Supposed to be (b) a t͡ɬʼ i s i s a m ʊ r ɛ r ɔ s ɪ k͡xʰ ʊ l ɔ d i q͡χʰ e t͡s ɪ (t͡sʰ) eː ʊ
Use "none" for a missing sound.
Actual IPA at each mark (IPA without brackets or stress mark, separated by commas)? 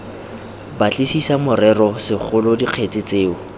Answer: b, t͡s